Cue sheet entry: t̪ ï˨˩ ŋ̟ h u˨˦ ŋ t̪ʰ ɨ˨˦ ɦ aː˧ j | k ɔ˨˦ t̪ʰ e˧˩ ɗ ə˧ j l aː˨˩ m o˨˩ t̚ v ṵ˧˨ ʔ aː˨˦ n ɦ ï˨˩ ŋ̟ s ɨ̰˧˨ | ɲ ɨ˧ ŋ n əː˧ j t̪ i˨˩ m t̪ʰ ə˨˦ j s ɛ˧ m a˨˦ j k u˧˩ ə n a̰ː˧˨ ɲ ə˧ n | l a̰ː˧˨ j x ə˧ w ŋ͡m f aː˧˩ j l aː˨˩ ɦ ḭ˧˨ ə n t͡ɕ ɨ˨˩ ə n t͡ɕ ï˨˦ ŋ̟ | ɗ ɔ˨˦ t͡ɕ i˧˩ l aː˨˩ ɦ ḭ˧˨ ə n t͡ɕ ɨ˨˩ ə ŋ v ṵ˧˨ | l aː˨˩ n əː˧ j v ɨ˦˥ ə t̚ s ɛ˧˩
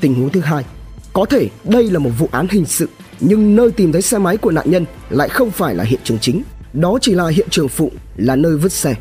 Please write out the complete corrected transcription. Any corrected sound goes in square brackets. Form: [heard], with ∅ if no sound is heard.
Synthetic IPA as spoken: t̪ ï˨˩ ŋ̟ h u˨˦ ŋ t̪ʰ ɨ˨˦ ɦ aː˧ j | k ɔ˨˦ t̪ʰ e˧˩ ɗ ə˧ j l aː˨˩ m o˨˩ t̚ v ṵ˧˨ ʔ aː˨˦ n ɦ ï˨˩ ŋ̟ s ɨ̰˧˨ | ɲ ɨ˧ ŋ n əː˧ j t̪ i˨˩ m t̪ʰ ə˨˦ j s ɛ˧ m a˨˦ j k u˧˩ ə n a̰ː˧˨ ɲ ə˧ n | l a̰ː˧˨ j x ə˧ w ŋ͡m f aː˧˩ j l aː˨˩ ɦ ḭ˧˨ ə n t͡ɕ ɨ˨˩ ə [ŋ] t͡ɕ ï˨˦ ŋ̟ | ɗ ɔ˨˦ t͡ɕ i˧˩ l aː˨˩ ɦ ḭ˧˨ ə n t͡ɕ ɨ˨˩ ə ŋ [f] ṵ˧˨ | l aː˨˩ n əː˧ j v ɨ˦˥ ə t̚ s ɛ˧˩